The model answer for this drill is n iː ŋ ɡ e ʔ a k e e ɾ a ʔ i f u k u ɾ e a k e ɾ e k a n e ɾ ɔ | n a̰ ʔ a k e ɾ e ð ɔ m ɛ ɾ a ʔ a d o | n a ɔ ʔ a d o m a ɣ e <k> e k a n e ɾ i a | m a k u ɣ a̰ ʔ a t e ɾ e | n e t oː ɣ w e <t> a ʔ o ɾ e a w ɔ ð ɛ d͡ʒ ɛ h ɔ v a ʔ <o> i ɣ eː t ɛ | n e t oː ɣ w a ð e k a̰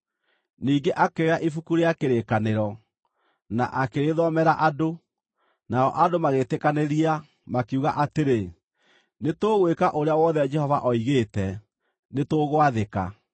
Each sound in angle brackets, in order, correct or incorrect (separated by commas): incorrect, incorrect, incorrect